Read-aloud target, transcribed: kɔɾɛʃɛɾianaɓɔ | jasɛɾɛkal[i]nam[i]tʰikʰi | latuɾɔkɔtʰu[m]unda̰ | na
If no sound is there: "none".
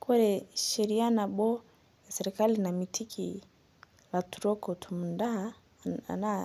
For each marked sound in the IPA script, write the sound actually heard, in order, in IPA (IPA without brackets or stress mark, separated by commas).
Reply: i, i, m